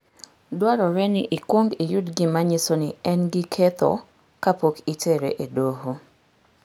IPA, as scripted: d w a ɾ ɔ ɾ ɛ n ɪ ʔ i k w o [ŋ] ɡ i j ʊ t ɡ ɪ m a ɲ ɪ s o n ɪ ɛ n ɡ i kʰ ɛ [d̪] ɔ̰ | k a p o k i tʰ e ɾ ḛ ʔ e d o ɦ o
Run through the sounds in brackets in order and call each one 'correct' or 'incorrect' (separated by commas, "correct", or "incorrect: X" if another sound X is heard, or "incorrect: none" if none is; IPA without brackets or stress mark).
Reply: correct, incorrect: t̪